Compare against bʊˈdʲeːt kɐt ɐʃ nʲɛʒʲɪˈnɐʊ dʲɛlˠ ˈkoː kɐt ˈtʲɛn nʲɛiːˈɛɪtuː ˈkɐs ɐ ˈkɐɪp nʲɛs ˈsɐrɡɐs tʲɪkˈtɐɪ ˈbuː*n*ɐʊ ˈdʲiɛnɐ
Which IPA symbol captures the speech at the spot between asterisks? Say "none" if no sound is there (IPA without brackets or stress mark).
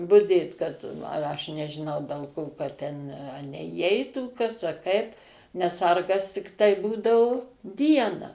d